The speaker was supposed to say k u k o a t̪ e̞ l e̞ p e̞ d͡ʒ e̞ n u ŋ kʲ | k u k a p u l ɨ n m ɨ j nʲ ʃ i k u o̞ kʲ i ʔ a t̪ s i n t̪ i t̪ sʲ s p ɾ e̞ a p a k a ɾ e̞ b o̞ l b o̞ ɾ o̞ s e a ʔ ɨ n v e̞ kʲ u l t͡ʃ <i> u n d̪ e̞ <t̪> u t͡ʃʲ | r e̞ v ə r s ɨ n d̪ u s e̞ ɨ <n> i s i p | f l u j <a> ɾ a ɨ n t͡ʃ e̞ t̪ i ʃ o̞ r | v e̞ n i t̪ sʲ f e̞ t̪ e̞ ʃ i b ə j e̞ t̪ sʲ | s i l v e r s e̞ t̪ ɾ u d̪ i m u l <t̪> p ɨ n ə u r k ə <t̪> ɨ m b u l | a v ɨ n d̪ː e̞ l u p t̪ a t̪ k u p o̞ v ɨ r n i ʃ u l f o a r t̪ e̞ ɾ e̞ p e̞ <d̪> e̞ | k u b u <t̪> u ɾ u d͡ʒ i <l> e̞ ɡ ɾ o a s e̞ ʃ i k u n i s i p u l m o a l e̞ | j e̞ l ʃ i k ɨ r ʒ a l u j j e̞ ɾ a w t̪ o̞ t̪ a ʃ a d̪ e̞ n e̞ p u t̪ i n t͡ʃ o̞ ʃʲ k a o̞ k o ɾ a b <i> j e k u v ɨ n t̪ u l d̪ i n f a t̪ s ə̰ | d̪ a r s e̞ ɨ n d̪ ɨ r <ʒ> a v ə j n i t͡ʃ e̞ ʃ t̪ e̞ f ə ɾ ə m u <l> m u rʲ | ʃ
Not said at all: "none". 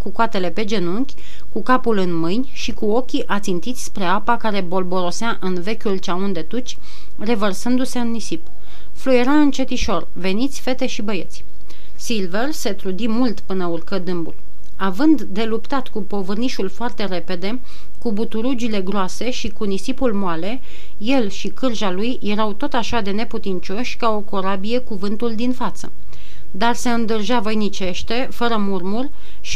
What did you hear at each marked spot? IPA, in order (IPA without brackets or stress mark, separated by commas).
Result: a, t̪, nː, e, t̪, d̪, d̪, t̪, l, i, ʒ, r